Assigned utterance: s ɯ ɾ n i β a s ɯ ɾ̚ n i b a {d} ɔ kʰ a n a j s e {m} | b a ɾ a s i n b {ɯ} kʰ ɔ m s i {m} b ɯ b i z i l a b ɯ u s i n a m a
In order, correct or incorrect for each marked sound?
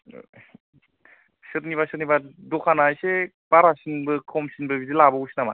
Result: correct, incorrect: none, correct, incorrect: n

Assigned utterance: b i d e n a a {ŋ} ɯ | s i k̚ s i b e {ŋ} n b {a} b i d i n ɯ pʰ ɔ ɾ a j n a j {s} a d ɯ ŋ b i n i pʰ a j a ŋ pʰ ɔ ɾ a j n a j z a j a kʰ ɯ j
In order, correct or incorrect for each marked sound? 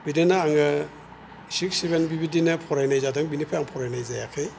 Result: correct, incorrect: none, incorrect: i, incorrect: z

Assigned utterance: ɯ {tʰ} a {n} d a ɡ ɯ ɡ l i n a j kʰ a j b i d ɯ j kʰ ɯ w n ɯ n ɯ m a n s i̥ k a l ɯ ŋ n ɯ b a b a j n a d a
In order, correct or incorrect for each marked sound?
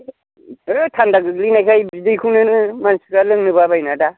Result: correct, correct

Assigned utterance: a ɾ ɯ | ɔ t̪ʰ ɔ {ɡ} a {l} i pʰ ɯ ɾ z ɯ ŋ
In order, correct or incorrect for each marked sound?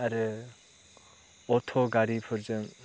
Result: correct, incorrect: ɾ

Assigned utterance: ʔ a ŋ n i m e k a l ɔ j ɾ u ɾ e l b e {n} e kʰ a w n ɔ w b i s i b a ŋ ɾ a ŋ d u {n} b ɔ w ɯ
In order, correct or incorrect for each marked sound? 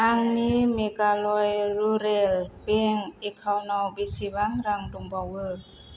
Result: incorrect: ŋ, incorrect: ŋ

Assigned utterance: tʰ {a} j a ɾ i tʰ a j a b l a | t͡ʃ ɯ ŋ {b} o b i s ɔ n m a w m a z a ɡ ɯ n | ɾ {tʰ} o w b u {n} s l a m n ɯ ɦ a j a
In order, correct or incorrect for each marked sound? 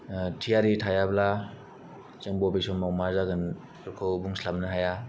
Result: incorrect: i, correct, incorrect: kʰ, incorrect: ŋ

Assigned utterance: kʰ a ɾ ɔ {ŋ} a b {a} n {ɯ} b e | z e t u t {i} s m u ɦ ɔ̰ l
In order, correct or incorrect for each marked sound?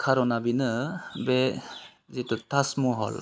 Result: incorrect: n, incorrect: i, correct, incorrect: a

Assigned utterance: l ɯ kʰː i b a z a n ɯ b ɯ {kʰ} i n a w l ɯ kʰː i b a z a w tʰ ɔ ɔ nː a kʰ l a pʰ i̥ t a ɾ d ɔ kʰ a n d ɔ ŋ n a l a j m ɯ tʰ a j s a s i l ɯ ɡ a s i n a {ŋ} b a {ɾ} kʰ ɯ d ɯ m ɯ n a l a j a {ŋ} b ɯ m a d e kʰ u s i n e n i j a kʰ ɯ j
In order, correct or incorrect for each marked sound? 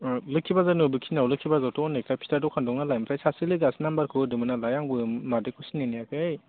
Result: correct, incorrect: m, correct, correct

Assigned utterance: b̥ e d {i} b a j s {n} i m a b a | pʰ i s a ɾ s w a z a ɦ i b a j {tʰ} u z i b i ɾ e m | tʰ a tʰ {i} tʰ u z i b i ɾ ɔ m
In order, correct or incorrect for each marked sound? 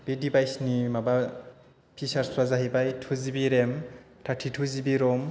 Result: correct, correct, correct, correct

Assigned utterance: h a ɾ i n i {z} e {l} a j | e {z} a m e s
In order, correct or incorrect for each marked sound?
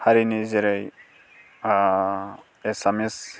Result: correct, incorrect: ɾ, incorrect: s

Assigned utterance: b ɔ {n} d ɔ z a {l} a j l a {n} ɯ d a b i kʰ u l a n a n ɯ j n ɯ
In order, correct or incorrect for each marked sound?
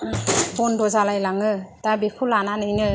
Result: correct, correct, incorrect: ŋ

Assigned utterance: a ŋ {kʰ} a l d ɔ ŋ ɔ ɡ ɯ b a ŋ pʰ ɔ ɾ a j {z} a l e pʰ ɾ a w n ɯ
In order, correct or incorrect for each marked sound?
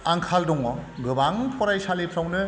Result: correct, incorrect: s

